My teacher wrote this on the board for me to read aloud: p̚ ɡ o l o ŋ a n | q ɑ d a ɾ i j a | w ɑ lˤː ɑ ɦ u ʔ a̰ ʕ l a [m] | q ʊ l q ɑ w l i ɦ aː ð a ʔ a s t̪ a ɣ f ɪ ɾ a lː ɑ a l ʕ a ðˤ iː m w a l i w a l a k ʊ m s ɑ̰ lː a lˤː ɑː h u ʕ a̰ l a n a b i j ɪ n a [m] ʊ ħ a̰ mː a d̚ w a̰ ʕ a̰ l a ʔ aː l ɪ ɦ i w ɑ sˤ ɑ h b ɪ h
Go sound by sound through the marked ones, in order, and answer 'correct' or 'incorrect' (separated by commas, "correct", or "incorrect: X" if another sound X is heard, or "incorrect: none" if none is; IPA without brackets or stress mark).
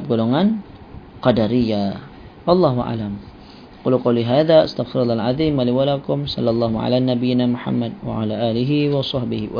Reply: correct, correct